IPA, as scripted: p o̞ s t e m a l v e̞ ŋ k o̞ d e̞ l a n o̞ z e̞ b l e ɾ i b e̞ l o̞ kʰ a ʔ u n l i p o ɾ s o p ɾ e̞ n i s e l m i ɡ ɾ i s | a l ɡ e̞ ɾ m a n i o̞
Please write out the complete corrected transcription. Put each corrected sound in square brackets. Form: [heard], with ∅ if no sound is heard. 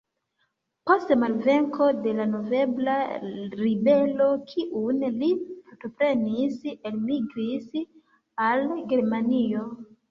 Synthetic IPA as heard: p o̞ s t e m a l v e̞ ŋ k o̞ d e̞ l a n o̞ [v] e̞ b l [a] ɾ i b e̞ l o̞ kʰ [i] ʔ u n l i p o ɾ [t] o p ɾ e̞ n i s e l m i ɡ ɾ i s | a l ɡ e̞ ɾ m a n i o̞